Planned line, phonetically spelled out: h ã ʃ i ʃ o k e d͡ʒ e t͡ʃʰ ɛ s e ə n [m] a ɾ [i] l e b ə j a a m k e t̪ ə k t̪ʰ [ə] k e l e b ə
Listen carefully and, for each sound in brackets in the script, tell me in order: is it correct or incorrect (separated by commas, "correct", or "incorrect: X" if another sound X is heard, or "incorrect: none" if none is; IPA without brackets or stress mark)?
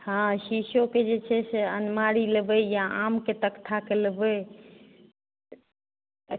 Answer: correct, correct, incorrect: a